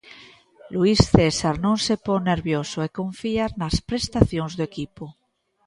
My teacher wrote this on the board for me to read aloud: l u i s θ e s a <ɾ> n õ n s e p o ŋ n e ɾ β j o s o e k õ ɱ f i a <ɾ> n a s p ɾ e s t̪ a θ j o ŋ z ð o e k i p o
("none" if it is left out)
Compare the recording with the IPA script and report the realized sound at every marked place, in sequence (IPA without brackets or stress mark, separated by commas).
ɾ, ɾ